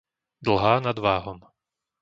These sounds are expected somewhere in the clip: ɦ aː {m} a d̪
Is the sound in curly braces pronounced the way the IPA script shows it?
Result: no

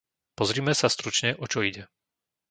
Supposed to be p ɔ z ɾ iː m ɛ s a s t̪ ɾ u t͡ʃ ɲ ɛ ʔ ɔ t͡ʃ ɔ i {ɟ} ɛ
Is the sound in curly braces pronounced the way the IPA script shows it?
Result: yes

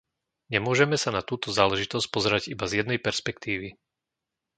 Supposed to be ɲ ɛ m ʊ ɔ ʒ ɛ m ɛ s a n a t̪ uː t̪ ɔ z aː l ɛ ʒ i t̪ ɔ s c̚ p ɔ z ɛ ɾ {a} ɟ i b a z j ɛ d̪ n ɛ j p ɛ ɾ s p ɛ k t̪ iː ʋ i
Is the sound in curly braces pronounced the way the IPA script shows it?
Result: yes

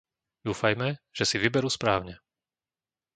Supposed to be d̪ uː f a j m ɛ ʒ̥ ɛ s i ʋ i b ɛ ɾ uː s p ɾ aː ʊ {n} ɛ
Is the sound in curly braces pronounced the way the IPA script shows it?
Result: no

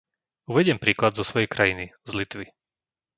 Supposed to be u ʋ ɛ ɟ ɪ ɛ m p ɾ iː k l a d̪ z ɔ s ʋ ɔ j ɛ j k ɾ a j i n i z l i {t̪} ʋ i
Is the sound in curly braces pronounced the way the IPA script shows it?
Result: yes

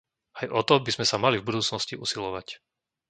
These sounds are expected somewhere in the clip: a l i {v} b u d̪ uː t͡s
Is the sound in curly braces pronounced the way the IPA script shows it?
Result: yes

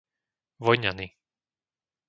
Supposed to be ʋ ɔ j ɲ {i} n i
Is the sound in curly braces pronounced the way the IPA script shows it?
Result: no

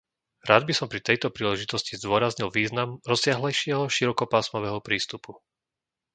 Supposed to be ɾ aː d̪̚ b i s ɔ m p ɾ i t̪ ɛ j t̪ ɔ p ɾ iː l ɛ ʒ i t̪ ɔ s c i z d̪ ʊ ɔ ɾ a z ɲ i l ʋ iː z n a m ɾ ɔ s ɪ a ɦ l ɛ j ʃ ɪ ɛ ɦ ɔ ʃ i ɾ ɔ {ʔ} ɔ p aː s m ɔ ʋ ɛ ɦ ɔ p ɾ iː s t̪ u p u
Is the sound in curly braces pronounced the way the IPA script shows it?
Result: no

